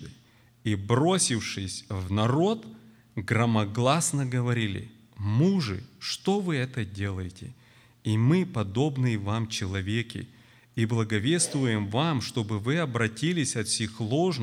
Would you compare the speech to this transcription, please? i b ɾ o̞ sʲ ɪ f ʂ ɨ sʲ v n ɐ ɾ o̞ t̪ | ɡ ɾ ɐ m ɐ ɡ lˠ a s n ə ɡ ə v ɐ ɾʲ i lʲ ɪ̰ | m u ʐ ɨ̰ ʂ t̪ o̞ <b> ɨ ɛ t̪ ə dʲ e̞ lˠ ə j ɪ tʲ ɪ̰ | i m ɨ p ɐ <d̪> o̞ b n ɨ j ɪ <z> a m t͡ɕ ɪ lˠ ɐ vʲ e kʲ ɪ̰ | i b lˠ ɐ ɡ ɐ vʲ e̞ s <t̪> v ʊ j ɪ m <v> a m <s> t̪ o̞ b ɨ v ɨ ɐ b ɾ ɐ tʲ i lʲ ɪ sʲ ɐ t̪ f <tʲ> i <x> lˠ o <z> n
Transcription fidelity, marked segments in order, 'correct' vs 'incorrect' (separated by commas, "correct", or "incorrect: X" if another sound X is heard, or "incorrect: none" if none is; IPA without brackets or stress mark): incorrect: v, correct, incorrect: v, correct, correct, incorrect: ʂ, incorrect: sʲ, correct, incorrect: ʐ